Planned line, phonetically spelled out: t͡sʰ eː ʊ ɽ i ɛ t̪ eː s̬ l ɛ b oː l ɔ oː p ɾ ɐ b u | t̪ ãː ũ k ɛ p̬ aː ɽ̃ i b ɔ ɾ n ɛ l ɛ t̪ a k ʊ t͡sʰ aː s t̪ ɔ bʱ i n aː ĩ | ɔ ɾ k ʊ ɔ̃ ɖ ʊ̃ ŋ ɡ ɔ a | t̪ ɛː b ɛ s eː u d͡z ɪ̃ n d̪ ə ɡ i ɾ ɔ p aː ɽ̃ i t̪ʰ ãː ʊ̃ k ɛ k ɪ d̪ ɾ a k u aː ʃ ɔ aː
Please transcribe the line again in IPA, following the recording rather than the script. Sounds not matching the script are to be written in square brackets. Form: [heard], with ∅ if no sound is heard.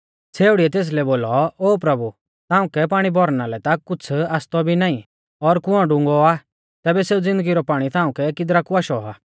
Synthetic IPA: t͡sʰ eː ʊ ɽ i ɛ t̪ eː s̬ l ɛ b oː l ɔ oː p ɾ ɐ b u | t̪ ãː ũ k ɛ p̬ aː ɽ̃ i b ɔ ɾ n [a] l ɛ t̪ a k ʊ t͡sʰ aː s t̪ ɔ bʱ i n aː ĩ | ɔ ɾ k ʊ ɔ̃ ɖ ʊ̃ ŋ ɡ ɔ a | t̪ ɛː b ɛ s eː u d͡z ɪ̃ n d̪ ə ɡ i ɾ ɔ p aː ɽ̃ i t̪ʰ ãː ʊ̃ k ɛ k ɪ d̪ ɾ a k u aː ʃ ɔ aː

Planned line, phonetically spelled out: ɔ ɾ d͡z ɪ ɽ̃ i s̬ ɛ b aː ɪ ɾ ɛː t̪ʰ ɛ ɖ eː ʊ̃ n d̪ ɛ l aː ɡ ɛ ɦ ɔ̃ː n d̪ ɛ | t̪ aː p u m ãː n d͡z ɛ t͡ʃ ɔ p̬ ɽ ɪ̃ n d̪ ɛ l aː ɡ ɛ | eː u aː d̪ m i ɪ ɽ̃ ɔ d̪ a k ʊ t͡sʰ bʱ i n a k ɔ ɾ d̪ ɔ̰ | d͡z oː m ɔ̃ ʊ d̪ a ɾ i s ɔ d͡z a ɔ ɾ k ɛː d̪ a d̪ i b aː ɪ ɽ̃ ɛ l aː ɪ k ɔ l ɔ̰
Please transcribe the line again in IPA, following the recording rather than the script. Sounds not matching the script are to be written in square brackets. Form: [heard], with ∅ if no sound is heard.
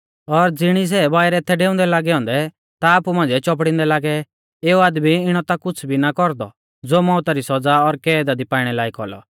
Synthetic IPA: ɔ ɾ d͡z ɪ ɽ̃ i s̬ ɛ b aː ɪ ɾ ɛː t̪ʰ ɛ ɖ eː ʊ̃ n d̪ ɛ l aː ɡ ɛ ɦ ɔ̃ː n d̪ ɛ | t̪ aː p u m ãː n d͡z ɛ t͡ʃ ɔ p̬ ɽ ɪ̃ n d̪ ɛ l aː ɡ ɛ | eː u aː d̪ m i ɪ ɽ̃ ɔ [t̪] a k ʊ t͡sʰ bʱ i n a k ɔ ɾ d̪ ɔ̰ | d͡z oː m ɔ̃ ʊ [t̪] a ɾ i s ɔ d͡z a ɔ ɾ k ɛː d̪ a d̪ i [p] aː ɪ ɽ̃ ɛ l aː [i] k ɔ l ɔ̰

